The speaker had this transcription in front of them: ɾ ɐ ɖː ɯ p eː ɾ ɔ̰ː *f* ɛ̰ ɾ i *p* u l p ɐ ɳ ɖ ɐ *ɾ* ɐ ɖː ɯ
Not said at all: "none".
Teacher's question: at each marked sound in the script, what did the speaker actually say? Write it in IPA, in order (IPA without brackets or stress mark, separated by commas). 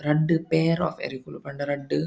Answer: f, k, ɾ